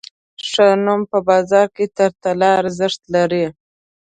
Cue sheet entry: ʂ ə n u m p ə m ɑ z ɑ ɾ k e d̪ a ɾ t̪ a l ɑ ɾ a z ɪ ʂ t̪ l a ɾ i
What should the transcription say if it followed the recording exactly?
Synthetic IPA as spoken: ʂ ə n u m p ə b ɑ z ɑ ɾ k e t̪ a ɾ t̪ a l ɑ ɾ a z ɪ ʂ t̪ l a ɾ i